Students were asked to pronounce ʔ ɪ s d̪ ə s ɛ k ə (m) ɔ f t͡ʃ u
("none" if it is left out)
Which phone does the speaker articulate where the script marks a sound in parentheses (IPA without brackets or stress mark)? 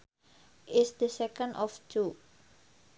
n